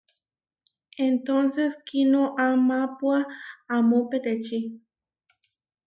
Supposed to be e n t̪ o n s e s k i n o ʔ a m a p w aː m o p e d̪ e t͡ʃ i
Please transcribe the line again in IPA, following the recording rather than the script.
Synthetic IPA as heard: e n t̪ o n s e s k i n o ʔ a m a p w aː m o p e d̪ e t͡ʃ i